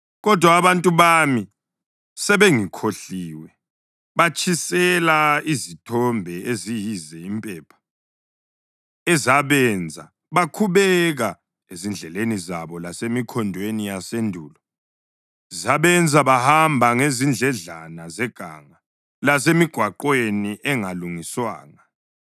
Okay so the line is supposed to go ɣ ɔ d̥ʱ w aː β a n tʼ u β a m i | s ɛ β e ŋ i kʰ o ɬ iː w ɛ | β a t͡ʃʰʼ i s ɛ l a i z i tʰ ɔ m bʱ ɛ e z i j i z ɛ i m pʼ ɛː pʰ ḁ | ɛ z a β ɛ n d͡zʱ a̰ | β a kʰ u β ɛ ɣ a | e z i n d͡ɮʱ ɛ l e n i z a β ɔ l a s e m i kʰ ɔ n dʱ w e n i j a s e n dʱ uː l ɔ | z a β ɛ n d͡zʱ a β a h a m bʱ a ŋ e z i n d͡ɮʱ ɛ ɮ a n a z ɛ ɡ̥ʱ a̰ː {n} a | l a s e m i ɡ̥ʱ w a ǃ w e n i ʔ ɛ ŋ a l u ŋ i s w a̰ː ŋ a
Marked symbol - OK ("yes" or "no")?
no